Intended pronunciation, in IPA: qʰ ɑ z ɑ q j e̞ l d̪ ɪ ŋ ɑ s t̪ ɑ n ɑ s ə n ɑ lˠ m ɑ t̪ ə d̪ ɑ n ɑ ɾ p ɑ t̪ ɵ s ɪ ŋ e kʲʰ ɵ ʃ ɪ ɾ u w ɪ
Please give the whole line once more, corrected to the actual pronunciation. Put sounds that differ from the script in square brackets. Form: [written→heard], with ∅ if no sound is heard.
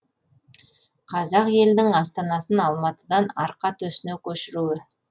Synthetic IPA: qʰ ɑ z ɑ q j e̞ l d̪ ɪ ŋ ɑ s t̪ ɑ n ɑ s ə n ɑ lˠ m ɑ t̪ ə d̪ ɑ n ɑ ɾ [p→q] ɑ t̪ ɵ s ɪ [ŋ→n] e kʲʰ ɵ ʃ ɪ ɾ u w ɪ